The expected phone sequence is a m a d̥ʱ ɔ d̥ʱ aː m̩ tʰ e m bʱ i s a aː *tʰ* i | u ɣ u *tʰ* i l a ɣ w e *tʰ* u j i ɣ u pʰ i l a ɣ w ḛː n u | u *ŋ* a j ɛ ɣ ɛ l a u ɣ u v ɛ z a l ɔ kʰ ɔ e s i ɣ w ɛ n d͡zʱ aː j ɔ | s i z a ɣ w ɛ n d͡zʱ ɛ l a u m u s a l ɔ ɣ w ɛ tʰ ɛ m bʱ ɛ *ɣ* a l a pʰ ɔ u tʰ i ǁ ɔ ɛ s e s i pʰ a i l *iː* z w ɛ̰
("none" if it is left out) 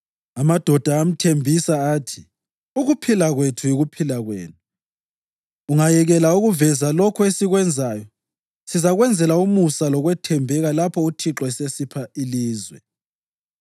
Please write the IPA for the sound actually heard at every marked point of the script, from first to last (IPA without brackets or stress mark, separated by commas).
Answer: tʰ, pʰ, tʰ, ŋ, ɣ, iː